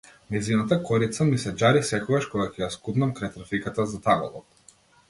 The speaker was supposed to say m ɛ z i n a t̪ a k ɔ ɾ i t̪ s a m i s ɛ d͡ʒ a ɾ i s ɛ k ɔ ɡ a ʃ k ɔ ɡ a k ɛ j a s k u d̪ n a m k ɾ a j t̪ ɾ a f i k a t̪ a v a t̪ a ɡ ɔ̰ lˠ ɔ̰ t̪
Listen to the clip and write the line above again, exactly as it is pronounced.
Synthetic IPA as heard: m ɛ z i n a t̪ a k ɔ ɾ i t̪ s a m i s ɛ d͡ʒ a ɾ i s ɛ k ɔ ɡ a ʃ k ɔ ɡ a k ɛ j a s k u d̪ n a m k ɾ a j t̪ ɾ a f i k a t̪ a z a t̪ a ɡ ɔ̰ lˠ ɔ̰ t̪

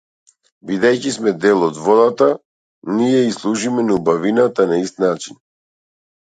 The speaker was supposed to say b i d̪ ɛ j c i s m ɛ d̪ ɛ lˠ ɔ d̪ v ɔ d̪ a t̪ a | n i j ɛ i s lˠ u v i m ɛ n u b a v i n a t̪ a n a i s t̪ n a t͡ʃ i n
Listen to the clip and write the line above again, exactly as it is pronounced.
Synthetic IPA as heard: b i d̪ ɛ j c i s m ɛ d̪ ɛ lˠ ɔ d̪ v ɔ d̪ a t̪ a | n i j ɛ i s lˠ u ʒ i m ɛ n u b a v i n a t̪ a n a i s t̪ n a t͡ʃ i n

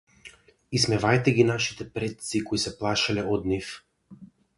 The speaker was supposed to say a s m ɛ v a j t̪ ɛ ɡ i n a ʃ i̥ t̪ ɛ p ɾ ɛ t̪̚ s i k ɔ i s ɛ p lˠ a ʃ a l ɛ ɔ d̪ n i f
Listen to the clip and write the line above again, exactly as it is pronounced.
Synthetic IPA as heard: i s m ɛ v a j t̪ ɛ ɡ i n a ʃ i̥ t̪ ɛ p ɾ ɛ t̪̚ s i k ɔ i s ɛ p lˠ a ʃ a l ɛ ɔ d̪ n i f

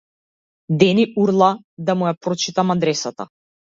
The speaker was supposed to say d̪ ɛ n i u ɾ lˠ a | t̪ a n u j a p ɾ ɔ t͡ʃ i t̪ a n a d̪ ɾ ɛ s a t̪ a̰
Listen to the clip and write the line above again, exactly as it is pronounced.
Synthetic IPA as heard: d̪ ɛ n i u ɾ lˠ a | d̪ a m u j a p ɾ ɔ t͡ʃ i t̪ a m a d̪ ɾ ɛ s a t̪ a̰

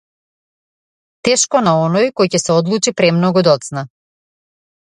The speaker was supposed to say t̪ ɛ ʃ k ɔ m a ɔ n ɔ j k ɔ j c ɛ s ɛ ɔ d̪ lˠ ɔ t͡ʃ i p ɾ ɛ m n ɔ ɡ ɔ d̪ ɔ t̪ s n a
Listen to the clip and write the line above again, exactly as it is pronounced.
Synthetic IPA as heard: t̪ ɛ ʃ k ɔ n a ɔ n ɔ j k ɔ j c ɛ s ɛ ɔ d̪ lˠ u t͡ʃ i p ɾ ɛ m n ɔ ɡ u d̪ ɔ t̪ s n a

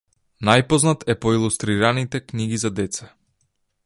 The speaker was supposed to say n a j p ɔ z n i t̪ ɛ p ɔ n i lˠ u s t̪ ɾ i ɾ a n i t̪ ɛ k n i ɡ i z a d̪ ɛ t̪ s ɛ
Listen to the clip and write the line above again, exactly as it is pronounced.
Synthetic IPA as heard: n a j p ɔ z n a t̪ ɛ p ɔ i lˠ u s t̪ ɾ i ɾ a n i t̪ ɛ k n i ɡ i z a d̪ ɛ t̪ s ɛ

